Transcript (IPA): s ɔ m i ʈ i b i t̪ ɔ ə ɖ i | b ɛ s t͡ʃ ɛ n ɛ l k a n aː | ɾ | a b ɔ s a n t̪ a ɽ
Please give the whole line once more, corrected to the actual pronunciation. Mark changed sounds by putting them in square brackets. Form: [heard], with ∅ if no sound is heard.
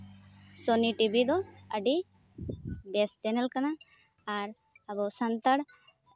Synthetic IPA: s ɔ [n] i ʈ i b i [d̪] ɔ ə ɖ i | b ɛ s t͡ʃ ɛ n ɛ l k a n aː | ɾ | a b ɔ s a n t̪ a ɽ